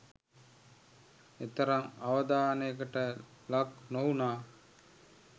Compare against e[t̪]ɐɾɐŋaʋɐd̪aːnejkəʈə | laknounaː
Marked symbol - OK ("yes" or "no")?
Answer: yes